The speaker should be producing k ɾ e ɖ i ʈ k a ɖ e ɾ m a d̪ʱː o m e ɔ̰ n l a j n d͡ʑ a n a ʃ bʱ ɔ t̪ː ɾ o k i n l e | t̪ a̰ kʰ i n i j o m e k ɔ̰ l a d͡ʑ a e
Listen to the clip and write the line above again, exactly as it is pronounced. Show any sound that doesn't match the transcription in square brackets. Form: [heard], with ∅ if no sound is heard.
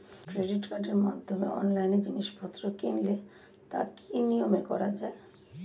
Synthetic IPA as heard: k ɾ e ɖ i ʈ k a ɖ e ɾ m a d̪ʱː o m e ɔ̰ n l a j n d͡ʑ [i] n [i] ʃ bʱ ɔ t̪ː ɾ o k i n l e | t̪ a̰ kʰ i n i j o m e k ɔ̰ [ɾ] a d͡ʑ a e

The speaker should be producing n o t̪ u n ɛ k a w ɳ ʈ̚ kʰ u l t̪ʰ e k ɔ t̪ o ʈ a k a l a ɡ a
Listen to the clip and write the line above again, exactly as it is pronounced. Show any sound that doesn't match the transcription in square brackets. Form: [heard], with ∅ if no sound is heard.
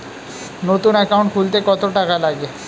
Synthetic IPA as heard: n o t̪ u n ɛ k a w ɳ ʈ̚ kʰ u l [t̪] e k ɔ t̪ o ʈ a k a l a ɡ [e]

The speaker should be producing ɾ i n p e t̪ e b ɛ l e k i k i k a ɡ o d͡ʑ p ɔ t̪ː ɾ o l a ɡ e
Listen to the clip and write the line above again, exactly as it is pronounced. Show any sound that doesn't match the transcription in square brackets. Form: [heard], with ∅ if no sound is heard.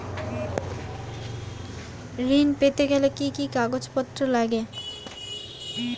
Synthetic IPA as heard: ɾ i n p e t̪ e [ɡ] ɛ l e k i k i k a ɡ o d͡ʑ p ɔ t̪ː ɾ o l a ɡ e

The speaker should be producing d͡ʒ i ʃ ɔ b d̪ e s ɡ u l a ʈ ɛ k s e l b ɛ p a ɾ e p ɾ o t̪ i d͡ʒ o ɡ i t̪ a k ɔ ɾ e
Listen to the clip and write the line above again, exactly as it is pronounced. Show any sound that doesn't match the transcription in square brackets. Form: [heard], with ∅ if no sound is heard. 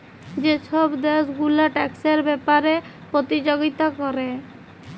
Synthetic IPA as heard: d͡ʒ [e] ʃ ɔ b d̪ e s ɡ u l a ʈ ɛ k s e [ɾ] b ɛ p a ɾ e p ɾ o t̪ i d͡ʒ o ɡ i t̪ a k ɔ ɾ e

